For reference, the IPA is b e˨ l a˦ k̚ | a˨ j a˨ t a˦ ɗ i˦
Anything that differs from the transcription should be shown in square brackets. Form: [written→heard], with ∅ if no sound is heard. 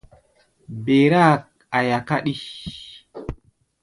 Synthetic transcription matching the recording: b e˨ [l→ɾ] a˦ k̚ | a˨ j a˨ [t→k] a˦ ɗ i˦

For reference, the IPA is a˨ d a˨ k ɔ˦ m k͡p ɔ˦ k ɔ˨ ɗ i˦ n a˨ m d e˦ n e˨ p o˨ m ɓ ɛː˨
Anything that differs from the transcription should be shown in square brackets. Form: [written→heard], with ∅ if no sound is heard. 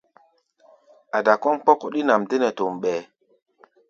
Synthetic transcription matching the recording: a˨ d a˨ k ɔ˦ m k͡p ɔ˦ k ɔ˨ ɗ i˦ n a˨ m d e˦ n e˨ [p→t] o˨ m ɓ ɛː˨

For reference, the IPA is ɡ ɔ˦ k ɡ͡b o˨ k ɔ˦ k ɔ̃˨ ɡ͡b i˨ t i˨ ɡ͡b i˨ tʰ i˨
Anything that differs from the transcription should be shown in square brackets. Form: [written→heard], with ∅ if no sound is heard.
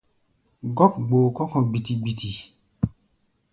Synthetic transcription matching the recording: ɡ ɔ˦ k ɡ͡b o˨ k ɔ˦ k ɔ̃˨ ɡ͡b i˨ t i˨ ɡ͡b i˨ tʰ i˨

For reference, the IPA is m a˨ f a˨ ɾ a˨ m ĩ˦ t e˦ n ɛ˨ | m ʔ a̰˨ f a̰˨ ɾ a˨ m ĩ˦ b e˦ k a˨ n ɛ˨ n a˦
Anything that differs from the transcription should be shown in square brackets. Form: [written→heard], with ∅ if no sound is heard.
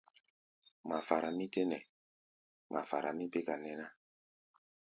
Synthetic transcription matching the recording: m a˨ f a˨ ɾ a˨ m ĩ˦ t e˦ n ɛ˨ | m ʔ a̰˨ f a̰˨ ɾ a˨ m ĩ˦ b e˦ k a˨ n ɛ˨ n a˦

